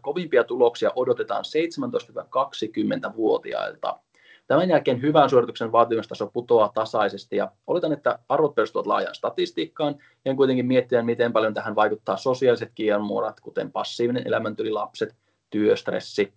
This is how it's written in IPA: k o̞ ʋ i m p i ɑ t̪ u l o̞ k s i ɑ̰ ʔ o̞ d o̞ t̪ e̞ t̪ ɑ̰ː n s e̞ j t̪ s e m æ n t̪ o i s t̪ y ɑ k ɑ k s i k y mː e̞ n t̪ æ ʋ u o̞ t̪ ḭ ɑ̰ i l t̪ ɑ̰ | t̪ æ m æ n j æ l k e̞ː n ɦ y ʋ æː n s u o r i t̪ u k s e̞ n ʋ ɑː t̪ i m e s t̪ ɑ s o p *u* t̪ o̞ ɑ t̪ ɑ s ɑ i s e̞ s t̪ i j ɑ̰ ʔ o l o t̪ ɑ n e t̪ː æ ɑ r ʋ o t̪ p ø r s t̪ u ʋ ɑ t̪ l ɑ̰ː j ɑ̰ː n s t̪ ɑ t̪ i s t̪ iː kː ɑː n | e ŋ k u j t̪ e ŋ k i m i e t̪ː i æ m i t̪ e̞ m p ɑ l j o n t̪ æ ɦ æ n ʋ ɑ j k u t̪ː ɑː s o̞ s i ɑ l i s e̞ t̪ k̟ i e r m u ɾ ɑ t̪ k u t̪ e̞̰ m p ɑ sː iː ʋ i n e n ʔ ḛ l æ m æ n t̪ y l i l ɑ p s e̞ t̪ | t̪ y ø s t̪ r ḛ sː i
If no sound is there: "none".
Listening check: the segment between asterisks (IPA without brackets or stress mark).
u